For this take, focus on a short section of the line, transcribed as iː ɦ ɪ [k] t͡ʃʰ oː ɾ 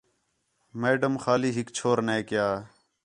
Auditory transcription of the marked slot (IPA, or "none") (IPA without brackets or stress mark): k